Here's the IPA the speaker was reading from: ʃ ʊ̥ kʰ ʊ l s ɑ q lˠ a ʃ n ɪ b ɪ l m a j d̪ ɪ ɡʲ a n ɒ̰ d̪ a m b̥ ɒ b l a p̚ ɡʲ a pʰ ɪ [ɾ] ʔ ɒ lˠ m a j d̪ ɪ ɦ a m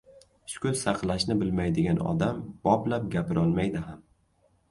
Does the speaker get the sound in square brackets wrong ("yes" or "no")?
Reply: no